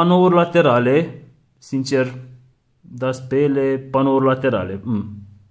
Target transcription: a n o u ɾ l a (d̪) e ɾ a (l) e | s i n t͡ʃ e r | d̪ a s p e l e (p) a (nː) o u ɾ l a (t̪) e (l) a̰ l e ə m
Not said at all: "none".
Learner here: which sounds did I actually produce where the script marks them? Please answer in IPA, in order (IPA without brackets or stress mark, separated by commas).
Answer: t̪, l, p, n, t̪, ɾ